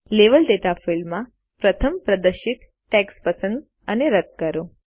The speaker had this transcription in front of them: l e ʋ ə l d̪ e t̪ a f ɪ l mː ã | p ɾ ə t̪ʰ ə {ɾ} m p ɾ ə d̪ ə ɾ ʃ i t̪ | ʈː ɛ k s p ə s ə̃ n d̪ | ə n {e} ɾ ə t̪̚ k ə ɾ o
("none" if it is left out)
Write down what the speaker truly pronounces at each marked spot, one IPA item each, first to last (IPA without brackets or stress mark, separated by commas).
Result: none, e